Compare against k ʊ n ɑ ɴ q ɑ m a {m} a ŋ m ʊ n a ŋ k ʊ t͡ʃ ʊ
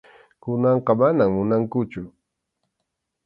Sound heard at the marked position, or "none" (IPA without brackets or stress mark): n